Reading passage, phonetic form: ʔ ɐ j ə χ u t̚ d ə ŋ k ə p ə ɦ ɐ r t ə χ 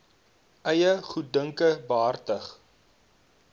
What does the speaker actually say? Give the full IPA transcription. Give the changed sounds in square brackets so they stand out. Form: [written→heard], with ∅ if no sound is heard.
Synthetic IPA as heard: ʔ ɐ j ə χ u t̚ d ə ŋ k ə [p→b] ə ɦ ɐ r t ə χ